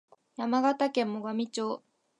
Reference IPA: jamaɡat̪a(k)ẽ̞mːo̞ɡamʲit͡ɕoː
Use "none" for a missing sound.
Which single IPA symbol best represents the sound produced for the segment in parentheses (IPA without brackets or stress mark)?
k